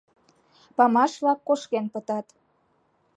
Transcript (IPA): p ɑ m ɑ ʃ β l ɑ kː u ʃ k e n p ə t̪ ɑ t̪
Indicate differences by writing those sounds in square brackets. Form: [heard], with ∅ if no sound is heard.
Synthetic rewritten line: p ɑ m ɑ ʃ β l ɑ kː [o] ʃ k e n p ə t̪ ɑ t̪